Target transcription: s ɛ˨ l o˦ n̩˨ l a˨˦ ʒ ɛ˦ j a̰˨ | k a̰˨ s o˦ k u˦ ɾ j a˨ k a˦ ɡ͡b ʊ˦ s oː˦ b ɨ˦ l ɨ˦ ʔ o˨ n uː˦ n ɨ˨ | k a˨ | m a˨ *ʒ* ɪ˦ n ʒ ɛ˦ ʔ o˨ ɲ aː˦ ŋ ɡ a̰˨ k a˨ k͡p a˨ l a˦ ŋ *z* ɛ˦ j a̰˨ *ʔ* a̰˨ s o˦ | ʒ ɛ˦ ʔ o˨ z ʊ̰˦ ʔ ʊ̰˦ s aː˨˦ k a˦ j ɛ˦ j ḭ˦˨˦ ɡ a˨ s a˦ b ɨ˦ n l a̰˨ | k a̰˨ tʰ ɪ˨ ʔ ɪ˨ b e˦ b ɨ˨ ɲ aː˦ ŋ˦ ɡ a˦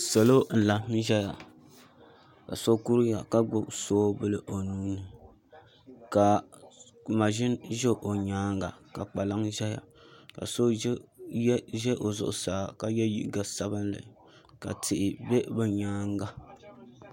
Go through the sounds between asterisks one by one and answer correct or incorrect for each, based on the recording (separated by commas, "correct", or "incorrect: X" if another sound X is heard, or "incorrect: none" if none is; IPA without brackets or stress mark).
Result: correct, incorrect: ʒ, incorrect: k